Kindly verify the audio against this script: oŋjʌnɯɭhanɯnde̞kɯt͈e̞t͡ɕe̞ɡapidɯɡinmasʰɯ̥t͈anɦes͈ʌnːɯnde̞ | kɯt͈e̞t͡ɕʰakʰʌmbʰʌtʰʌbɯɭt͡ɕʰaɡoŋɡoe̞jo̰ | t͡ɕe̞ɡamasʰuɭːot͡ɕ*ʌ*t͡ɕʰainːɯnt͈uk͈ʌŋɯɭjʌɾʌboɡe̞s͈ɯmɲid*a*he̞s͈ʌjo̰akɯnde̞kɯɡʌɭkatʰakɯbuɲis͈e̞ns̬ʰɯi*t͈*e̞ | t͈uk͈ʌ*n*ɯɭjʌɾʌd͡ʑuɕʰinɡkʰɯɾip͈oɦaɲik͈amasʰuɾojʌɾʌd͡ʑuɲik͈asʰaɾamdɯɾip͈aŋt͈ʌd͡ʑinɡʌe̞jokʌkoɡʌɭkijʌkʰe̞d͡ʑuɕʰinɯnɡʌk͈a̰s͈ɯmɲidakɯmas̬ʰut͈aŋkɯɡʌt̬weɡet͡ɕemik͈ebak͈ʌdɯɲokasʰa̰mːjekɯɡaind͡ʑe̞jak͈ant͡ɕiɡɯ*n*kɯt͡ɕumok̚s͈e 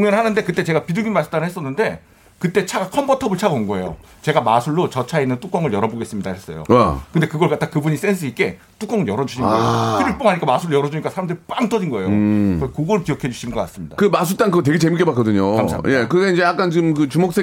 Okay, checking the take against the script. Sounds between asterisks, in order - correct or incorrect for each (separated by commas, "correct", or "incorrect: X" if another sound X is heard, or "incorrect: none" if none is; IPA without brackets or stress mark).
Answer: correct, correct, incorrect: k͈, incorrect: ŋ, incorrect: m